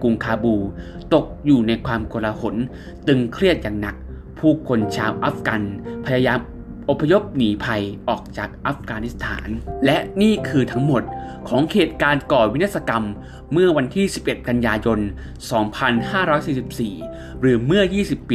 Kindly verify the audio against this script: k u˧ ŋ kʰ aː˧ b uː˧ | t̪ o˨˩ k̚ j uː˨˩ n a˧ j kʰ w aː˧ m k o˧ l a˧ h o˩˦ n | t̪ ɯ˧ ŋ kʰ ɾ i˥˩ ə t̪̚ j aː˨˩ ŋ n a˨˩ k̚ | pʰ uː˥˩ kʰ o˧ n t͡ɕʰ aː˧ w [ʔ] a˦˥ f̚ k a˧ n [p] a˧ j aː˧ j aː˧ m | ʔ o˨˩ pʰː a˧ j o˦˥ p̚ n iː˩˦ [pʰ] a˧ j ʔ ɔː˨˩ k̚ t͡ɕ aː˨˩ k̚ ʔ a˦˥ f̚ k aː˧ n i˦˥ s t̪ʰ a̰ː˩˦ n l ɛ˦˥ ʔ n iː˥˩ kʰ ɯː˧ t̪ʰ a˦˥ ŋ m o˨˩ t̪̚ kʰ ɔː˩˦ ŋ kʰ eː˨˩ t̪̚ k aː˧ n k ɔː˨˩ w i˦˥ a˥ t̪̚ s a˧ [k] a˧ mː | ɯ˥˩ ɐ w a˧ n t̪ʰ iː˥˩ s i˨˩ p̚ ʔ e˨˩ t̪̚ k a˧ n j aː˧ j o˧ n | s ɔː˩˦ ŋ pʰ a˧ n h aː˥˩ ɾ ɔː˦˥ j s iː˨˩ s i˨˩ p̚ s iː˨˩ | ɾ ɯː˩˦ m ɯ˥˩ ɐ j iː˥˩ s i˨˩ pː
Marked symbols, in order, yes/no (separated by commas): yes, no, yes, yes